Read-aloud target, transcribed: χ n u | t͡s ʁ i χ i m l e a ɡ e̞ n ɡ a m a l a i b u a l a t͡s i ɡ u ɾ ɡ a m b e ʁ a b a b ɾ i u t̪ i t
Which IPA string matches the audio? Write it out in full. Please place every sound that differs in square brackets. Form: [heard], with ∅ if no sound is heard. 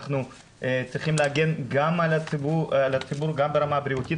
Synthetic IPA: χ n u | t͡s ʁ i χ i m l e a ɡ e̞ n ɡ a m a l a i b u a l a t͡s i [b] u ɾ ɡ a m b e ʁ a [m] a b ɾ i u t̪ i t